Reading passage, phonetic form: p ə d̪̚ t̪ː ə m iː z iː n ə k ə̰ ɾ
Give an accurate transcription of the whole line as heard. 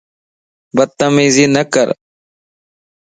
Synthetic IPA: b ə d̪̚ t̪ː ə m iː z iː n ə k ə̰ ɾ

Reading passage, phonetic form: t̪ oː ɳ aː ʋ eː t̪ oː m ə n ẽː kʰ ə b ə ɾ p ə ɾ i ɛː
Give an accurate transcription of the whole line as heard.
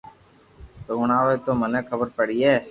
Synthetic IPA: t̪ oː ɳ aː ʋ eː t̪ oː m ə n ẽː kʰ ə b ə ɾ p ə ɽ i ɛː

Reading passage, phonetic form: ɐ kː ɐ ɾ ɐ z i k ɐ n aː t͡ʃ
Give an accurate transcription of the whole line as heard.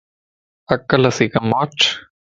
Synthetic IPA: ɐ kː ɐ l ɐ s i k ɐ m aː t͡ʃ

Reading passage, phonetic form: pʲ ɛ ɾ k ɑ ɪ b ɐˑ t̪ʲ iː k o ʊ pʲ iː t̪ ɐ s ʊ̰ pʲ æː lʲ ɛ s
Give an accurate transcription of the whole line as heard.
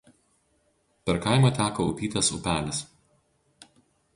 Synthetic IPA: pʲ ɛ ɾ k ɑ ɪ m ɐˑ t̪ʲ æː k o ʊ pʲ iː t̪ ɐ s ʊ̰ pʲ æː lʲ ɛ s

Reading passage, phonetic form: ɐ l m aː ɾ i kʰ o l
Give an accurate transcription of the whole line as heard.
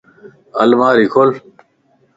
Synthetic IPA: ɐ l m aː ɾ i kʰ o l

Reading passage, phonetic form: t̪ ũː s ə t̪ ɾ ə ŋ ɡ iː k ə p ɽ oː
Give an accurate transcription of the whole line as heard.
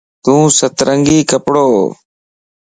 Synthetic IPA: t̪ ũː s ə t̪ ɾ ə ŋ ɡ iː k ə p ɽ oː

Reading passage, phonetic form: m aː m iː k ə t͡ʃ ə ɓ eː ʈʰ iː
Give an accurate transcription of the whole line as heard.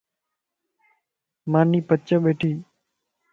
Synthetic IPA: m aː n iː p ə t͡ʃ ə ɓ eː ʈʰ iː

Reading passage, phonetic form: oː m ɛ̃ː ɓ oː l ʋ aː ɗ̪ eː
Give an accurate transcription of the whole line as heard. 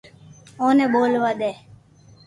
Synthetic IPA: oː n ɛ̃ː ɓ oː l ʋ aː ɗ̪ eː

